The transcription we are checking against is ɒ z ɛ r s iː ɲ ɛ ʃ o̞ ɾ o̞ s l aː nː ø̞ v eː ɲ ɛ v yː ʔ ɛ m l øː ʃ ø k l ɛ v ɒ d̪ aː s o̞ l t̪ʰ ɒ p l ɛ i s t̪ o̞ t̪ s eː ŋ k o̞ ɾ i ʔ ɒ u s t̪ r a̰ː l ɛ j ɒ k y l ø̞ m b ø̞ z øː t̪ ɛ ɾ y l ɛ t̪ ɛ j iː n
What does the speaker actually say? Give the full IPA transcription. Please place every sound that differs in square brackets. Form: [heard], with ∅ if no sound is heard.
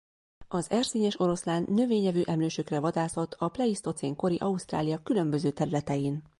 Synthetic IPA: ɒ z ɛ r s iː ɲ ɛ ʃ o̞ ɾ o̞ s l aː nː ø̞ v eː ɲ ɛ v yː ʔ ɛ m l øː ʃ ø k [r] ɛ v ɒ d̪ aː s o̞ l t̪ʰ ɒ p l ɛ i s t̪ o̞ t̪ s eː ŋ k o̞ ɾ i ʔ ɒ u s t̪ r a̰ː l [i] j ɒ k y l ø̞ m b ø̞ z øː t̪ ɛ ɾ y l ɛ t̪ ɛ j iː n